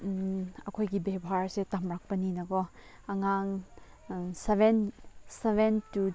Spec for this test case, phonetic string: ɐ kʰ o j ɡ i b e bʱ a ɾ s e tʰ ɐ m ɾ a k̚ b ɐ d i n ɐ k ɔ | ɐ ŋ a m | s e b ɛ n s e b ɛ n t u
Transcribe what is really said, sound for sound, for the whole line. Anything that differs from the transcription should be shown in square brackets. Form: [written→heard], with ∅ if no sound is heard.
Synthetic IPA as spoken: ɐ kʰ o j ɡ i b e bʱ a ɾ s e [tʰ→t] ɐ m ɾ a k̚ [b→p] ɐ [d→n] i n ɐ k ɔ | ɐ ŋ a [m→ŋ] | s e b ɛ n s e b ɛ n t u